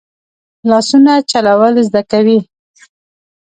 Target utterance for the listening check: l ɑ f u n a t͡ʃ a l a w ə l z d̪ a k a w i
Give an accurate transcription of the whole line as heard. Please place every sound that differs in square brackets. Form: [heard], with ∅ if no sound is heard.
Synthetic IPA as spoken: l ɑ [s] u n a t͡ʃ a l a w ə l z d̪ a k a w i